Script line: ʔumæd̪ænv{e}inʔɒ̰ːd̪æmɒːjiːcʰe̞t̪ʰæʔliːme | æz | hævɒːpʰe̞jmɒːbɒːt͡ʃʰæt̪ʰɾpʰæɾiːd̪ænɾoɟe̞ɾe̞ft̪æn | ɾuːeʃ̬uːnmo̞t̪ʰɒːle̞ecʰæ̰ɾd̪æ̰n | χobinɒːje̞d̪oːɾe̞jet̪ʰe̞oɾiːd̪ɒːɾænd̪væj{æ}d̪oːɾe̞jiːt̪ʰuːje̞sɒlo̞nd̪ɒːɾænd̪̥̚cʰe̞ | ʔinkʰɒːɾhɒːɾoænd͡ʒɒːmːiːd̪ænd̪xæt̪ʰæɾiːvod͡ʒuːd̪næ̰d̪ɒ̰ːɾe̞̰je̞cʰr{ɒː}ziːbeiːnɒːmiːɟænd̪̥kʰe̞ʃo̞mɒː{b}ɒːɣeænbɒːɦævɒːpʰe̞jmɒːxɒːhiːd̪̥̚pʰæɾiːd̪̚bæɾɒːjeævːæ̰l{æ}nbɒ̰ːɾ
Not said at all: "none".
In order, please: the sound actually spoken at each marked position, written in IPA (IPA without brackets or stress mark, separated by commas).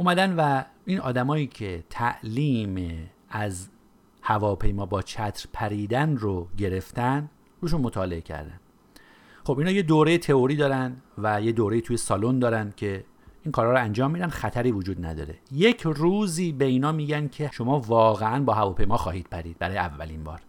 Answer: æ, e, uː, v, i